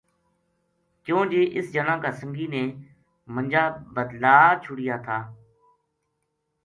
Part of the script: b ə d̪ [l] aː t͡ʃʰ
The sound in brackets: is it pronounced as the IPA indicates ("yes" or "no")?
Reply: yes